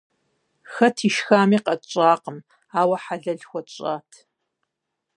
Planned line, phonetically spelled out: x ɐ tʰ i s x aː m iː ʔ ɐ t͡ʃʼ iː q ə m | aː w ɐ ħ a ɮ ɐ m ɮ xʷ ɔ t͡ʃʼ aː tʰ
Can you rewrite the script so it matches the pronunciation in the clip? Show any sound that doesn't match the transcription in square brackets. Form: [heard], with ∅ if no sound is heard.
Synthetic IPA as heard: x ɐ tʰ i [ʃ] x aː m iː [q] ɐ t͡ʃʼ [aː] q ə m | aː w ɐ ħ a ɮ ɐ [∅] ɮ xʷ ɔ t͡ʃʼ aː tʰ